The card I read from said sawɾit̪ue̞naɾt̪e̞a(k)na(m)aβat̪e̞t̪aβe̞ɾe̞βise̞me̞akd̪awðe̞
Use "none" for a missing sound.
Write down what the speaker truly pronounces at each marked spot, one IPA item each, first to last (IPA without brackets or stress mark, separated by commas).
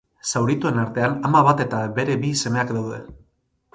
none, m